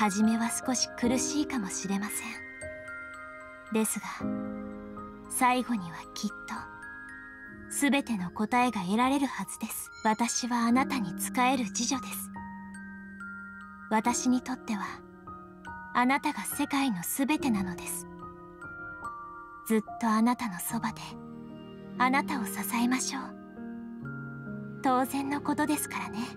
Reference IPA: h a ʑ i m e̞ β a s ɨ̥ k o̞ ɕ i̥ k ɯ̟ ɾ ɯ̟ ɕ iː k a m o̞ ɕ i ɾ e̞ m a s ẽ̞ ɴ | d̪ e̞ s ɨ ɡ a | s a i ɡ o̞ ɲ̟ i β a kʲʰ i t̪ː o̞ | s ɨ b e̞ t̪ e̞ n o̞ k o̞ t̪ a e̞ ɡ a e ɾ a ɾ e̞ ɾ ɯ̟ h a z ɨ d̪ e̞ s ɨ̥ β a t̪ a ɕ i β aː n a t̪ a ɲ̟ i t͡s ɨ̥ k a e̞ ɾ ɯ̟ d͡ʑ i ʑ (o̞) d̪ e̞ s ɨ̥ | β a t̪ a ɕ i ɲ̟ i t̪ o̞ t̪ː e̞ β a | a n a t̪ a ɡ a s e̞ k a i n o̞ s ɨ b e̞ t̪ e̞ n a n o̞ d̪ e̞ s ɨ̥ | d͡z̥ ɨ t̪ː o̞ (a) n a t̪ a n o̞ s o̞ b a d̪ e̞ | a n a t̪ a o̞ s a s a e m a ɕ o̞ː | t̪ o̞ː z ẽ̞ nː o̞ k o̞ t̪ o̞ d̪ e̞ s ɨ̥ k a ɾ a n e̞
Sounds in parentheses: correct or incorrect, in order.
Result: correct, correct

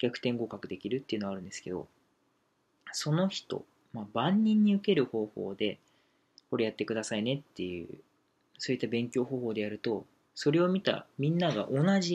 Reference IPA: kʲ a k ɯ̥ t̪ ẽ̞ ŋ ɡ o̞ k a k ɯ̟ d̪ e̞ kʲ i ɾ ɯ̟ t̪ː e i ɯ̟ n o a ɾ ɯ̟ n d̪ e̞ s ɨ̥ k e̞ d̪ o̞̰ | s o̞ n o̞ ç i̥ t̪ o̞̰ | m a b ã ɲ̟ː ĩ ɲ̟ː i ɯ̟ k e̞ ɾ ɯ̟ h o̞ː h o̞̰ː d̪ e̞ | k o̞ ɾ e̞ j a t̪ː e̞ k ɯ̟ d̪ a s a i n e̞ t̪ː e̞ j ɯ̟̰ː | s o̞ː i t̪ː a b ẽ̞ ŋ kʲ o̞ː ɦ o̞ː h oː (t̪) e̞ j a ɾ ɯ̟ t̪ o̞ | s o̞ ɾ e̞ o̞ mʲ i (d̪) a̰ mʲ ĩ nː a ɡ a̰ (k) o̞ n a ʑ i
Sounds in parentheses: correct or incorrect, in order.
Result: incorrect: d̪, incorrect: t̪, incorrect: ʔ

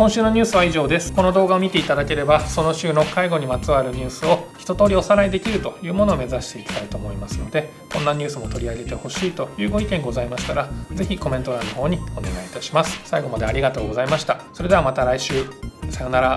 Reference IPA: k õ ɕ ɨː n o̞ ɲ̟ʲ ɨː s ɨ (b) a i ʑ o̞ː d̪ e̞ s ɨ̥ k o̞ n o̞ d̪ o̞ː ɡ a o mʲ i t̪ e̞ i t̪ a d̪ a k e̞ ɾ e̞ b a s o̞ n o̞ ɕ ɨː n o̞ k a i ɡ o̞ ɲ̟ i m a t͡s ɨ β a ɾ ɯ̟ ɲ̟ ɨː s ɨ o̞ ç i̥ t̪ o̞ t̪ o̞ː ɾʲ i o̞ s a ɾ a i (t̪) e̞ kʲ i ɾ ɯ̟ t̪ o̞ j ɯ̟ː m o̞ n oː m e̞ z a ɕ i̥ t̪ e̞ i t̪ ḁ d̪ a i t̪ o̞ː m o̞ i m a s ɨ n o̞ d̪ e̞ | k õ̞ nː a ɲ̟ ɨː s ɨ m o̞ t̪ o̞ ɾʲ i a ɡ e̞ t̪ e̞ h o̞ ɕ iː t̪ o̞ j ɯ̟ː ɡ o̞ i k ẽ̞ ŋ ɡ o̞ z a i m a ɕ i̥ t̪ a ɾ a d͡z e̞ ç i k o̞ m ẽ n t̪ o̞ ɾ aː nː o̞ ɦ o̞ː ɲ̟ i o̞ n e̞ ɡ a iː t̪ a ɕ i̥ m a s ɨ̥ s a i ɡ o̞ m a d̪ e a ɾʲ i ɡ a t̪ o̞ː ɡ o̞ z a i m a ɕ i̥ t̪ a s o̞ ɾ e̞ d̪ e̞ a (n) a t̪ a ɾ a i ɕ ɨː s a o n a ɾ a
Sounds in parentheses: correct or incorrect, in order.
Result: incorrect: β, incorrect: d̪, incorrect: m

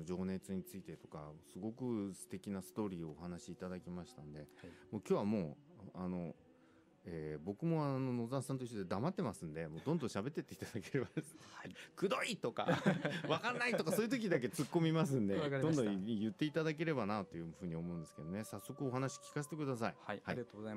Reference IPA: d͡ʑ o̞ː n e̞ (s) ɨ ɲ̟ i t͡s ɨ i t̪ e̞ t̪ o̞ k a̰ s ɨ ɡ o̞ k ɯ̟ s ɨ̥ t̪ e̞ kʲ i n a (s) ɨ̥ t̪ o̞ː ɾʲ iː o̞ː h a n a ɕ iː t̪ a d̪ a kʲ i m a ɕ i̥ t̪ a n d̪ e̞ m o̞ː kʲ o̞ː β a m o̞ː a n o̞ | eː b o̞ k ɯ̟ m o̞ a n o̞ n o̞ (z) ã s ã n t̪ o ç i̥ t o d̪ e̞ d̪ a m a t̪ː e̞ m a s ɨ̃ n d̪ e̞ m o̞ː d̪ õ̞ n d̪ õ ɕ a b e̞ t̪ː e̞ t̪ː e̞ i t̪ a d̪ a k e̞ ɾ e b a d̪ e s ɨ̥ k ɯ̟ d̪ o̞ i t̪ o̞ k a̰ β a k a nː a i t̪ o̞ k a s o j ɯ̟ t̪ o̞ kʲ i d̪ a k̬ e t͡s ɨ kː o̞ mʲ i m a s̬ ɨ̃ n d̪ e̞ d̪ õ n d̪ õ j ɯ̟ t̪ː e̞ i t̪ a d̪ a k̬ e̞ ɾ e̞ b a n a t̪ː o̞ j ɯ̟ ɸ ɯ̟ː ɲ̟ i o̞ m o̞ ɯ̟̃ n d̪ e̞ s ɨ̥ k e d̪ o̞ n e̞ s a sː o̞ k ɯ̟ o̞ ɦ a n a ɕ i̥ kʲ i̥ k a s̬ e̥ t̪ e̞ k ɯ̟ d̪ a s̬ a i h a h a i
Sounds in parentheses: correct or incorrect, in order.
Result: incorrect: t͡s, correct, correct

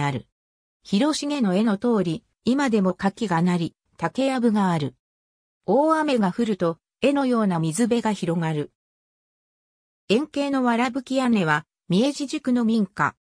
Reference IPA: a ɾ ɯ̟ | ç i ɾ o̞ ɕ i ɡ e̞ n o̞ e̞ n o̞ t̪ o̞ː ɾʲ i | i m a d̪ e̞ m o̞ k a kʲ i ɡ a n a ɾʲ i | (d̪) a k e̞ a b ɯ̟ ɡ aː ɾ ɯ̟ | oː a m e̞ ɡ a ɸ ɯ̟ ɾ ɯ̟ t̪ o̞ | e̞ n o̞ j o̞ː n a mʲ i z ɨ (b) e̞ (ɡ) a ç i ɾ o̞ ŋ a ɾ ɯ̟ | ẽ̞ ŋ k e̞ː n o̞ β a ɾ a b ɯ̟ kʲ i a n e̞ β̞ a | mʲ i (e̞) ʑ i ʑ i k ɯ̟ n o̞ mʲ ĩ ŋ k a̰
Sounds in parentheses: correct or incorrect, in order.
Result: incorrect: t̪, correct, correct, correct

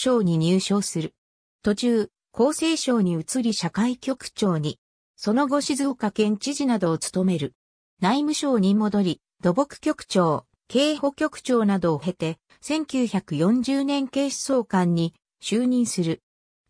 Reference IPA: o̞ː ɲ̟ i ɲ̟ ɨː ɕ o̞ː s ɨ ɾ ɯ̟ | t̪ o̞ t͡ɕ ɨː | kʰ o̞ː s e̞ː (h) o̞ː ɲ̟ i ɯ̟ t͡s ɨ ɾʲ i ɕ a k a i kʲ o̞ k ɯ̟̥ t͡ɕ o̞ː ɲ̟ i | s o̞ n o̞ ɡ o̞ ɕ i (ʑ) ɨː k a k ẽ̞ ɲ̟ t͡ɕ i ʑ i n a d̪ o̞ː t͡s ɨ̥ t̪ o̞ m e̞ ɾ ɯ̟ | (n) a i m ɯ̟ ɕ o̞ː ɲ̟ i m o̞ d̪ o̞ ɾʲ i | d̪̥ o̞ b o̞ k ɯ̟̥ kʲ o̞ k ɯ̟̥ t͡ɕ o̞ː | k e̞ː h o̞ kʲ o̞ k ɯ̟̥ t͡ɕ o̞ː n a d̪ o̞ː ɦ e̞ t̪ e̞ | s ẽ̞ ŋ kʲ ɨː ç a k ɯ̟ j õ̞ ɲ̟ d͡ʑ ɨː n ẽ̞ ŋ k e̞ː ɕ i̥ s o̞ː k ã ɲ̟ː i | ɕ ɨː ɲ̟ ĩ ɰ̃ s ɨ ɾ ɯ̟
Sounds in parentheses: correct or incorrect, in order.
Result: incorrect: ɕ, incorrect: z, correct

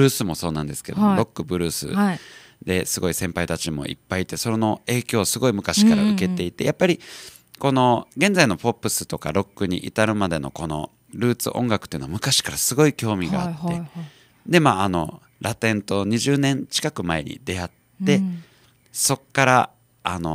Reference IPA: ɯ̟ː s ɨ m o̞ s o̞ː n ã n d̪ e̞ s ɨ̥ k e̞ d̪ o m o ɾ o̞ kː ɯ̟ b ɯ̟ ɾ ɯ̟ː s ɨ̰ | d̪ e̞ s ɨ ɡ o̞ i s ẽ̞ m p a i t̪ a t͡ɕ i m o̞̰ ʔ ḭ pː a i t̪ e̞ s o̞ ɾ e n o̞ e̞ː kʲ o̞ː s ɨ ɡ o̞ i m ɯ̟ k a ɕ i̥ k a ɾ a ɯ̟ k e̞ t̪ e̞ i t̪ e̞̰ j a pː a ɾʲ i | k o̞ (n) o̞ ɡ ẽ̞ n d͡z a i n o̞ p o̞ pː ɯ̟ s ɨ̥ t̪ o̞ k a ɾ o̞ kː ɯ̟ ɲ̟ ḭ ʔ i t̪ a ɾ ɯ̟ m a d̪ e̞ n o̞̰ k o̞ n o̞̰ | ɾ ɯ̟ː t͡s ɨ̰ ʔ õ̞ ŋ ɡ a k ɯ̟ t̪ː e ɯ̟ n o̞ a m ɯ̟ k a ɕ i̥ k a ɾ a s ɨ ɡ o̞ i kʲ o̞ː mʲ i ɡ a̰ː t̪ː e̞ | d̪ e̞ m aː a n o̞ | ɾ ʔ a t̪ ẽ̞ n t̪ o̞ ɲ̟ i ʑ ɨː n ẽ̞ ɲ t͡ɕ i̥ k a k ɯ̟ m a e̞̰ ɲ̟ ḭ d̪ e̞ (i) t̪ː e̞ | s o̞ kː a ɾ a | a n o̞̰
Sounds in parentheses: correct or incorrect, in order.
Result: correct, incorrect: a

